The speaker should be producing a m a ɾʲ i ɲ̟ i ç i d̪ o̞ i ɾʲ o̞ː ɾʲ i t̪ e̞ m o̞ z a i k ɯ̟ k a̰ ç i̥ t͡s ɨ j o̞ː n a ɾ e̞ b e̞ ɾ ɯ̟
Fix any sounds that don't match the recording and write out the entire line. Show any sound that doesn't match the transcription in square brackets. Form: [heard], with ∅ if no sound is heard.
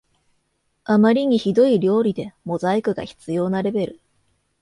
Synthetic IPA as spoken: a m a ɾʲ i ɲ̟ i ç i d̪ o̞ i ɾʲ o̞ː ɾʲ i [d̪] e̞ m o̞ z a i k ɯ̟ [ɡ] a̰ ç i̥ t͡s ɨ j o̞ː n a ɾ e̞ b e̞ ɾ ɯ̟